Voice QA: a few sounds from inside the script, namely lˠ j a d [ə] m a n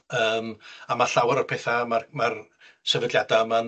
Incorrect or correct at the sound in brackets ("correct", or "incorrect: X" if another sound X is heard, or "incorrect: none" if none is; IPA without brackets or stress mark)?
incorrect: a